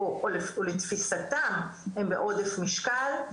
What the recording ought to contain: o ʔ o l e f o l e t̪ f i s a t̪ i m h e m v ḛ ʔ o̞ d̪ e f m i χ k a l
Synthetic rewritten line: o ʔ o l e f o l e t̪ f i s a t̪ a m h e m b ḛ ʔ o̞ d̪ e f m i ʃ k a l